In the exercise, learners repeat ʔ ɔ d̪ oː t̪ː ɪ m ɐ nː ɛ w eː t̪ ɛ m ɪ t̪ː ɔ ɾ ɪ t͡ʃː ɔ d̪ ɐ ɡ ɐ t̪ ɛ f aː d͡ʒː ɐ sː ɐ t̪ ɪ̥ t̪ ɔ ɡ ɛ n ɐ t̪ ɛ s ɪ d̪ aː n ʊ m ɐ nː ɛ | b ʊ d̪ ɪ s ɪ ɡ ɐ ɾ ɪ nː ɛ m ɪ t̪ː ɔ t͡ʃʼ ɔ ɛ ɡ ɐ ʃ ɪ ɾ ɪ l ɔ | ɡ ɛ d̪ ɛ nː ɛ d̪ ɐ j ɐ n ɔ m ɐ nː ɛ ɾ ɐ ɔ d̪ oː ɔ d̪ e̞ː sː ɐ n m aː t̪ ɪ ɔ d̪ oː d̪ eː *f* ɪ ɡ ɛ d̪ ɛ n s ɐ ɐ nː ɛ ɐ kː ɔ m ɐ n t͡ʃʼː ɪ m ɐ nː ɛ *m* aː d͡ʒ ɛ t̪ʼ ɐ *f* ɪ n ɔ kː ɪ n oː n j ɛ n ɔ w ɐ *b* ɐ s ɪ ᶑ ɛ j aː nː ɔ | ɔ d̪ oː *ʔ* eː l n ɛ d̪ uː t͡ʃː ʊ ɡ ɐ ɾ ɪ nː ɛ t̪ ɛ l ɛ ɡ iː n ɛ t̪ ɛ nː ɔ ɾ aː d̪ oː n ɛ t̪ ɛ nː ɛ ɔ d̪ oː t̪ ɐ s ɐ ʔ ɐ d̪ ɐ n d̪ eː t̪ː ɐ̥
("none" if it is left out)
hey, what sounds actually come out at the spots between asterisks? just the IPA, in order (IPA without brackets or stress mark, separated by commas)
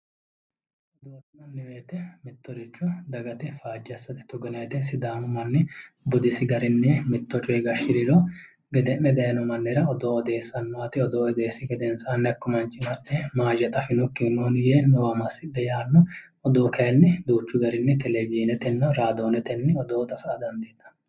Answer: s, m, f, m, k